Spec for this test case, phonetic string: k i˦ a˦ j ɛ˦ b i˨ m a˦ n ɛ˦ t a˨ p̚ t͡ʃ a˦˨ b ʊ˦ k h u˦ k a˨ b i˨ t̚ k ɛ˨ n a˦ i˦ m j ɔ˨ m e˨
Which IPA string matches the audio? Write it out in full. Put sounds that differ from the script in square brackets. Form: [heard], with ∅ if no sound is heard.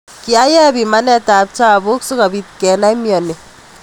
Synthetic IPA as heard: k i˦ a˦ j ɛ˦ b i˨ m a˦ n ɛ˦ t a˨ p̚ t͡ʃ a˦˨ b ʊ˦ k [s] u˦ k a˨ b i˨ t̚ k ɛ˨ n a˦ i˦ m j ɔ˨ [n] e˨